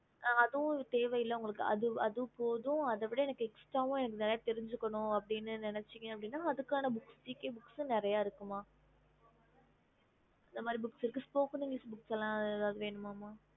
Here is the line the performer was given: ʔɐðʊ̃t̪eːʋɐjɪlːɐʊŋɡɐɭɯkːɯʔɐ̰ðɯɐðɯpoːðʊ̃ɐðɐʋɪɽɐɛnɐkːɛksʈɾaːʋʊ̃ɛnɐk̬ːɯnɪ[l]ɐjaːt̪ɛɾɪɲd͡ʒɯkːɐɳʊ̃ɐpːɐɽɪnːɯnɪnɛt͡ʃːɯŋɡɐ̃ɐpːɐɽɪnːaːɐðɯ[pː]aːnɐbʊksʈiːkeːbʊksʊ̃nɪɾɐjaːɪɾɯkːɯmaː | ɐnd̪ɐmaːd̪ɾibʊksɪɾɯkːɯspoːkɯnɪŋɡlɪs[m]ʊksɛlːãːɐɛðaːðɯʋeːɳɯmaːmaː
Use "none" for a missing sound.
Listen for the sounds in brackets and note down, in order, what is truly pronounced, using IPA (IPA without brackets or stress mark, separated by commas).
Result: ɾ, kː, b